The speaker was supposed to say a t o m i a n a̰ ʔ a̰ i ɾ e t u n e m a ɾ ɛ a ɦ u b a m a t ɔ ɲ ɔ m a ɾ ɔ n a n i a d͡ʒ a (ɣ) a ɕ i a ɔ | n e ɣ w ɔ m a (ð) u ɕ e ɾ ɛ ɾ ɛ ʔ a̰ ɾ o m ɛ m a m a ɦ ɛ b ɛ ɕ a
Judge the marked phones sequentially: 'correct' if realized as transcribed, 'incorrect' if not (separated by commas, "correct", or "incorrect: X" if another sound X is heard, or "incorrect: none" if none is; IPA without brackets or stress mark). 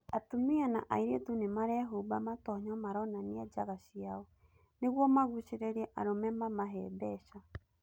correct, incorrect: ɣ